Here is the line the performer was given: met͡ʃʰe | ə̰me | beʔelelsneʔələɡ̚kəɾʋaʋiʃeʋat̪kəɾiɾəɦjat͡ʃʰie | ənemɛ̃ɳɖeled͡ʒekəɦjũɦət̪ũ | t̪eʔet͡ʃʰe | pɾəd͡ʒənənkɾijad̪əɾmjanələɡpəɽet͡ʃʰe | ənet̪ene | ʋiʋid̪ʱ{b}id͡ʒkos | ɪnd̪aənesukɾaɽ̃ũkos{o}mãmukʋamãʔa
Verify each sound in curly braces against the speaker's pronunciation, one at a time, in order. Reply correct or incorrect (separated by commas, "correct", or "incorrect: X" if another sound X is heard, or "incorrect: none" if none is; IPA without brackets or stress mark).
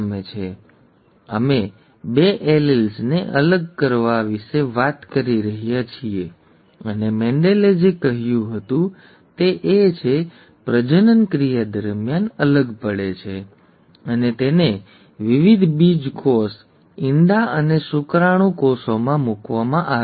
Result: correct, correct